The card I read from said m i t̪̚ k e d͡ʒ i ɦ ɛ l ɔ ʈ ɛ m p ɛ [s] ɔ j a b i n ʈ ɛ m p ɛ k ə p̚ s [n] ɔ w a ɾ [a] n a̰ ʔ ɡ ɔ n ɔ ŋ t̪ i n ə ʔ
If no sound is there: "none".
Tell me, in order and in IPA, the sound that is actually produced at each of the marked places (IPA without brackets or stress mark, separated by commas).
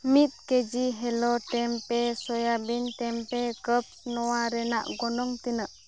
s, n, ɛ